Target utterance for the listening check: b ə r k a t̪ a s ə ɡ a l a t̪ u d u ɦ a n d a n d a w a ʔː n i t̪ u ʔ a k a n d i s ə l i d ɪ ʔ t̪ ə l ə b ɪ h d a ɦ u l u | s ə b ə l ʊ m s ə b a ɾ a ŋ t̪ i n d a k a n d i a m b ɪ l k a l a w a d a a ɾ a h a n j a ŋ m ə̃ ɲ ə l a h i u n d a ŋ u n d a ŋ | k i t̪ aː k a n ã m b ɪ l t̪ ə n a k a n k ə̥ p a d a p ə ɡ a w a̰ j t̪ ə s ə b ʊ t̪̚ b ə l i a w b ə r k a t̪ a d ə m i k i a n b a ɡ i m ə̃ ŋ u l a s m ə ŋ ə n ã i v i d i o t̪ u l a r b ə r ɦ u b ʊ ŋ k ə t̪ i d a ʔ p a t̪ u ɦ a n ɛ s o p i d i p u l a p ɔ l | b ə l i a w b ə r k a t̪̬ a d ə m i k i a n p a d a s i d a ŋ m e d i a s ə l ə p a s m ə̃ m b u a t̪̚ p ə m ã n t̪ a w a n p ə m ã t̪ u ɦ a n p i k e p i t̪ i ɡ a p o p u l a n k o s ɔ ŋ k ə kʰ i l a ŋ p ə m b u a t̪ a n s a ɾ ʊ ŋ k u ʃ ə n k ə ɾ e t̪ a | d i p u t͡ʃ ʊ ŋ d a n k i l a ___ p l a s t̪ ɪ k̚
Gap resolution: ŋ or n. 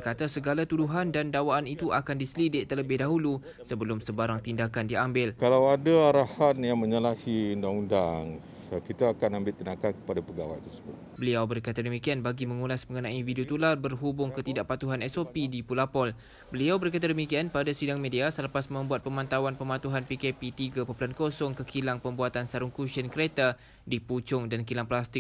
ŋ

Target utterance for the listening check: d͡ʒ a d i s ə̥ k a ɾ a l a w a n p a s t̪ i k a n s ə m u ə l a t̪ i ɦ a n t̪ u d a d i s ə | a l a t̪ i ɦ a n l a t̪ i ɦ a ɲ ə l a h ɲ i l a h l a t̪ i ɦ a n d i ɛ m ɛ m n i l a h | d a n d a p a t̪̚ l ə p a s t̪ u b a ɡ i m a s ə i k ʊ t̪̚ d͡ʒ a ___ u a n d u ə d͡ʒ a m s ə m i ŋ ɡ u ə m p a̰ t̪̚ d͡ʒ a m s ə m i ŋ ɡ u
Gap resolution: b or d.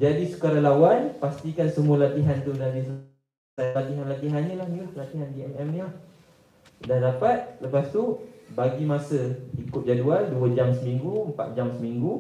d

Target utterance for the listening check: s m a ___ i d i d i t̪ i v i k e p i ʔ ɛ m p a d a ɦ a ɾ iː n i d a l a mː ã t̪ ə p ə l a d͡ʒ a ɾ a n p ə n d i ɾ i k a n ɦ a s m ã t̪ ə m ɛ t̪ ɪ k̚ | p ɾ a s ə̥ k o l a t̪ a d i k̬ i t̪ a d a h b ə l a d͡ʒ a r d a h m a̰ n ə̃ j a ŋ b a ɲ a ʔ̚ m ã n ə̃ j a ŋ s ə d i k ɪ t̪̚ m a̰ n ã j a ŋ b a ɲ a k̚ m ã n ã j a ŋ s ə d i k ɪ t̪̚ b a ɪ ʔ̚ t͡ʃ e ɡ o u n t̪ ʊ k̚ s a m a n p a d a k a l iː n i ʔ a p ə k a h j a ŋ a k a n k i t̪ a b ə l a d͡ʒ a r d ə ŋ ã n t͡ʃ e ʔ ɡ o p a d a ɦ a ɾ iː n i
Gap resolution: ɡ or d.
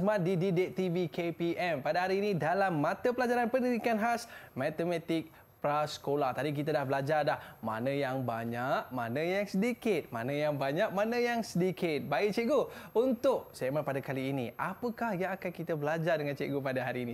d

